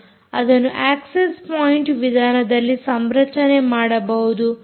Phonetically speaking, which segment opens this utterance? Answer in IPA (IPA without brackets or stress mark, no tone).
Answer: ɐ